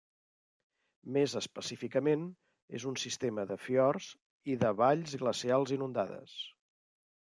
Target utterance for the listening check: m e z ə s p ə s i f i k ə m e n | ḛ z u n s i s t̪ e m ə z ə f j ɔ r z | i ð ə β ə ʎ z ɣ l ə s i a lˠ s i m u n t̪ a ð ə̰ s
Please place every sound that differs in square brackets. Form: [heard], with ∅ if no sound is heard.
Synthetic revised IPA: m e z ə s p ə s i f i k ə m e n | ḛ z u n s i s t̪ e m ə [ð] ə f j ɔ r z | i ð ə β [a] ʎ z ɣ l ə s i a lˠ [z] i [n] u n [d̪] a ð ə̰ s